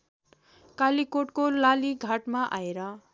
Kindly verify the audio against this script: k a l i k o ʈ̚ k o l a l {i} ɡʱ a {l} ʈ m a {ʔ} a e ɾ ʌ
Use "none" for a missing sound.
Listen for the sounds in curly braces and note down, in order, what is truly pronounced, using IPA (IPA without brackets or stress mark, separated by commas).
i, none, ʔ